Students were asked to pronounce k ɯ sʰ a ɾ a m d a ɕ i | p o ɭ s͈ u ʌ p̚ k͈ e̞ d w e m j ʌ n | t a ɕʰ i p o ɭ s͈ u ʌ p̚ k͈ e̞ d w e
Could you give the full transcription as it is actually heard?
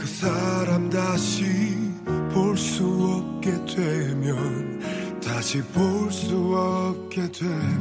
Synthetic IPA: k ɯ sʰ a ɾ a m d a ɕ i | p o ɭ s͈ u ʌ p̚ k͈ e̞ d w e m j ʌ n | t a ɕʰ i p o ɭ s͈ u ʌ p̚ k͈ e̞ d w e